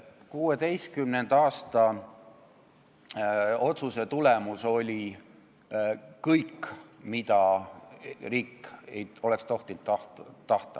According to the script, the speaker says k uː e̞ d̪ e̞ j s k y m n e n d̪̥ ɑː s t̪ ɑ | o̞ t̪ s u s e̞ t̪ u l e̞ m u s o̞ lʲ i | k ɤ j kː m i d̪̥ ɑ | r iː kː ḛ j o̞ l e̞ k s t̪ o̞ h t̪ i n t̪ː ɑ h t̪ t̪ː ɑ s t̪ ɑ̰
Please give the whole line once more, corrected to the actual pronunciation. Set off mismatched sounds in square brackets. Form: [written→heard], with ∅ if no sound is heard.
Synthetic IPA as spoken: k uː e̞ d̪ e̞ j s k y m n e n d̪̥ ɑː s t̪ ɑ | o̞ t̪ s u s e̞ t̪ u l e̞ m u s o̞ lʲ i | k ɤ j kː m i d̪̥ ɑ | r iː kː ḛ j o̞ l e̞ k s t̪ o̞ h t̪ i n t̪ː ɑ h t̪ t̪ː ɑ [s→h] t̪ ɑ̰

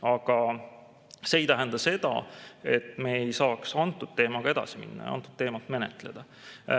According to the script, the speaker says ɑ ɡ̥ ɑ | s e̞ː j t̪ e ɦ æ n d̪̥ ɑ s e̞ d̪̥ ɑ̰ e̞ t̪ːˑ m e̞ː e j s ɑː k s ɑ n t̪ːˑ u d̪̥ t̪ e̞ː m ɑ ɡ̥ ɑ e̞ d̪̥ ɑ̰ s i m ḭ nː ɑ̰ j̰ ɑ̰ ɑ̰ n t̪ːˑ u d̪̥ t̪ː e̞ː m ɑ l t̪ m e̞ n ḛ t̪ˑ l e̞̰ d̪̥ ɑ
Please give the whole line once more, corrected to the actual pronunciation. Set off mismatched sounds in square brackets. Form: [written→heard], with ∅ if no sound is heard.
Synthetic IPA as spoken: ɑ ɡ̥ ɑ | s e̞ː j t̪ [e→æ] ɦ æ n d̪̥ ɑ s e̞ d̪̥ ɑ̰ e̞ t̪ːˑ m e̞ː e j s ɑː k s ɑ n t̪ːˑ u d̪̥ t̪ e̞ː m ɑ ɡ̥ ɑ e̞ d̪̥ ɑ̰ s i m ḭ nː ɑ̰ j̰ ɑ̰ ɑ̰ n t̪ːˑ u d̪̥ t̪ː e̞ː m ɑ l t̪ m e̞ n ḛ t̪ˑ l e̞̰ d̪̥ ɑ

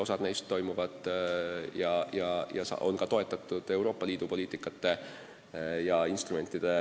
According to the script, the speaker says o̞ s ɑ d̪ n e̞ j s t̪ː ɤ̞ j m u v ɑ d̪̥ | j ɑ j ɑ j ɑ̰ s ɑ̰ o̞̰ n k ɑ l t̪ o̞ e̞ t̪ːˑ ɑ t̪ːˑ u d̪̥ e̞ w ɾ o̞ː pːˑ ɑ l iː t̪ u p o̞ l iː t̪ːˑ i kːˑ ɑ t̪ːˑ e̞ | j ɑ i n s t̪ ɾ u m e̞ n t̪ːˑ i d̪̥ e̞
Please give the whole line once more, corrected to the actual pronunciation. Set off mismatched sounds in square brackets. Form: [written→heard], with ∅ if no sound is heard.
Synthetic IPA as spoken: o̞ s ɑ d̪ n e̞ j s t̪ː [ɤ̞→o̞] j m u v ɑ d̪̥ | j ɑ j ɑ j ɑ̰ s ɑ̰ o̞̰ n k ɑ [l→∅] t̪ o̞ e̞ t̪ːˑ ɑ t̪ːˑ u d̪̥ e̞ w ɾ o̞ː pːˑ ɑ l iː [t̪→d̪] u p o̞ l iː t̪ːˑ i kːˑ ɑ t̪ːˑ e̞ | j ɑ i n s t̪ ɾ u m e̞ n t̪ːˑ i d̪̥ e̞

